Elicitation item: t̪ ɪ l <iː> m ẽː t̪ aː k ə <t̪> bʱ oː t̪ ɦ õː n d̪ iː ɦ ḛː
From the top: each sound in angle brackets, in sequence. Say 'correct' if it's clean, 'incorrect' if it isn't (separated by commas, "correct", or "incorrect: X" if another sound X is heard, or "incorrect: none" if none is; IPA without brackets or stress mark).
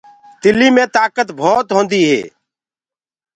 correct, correct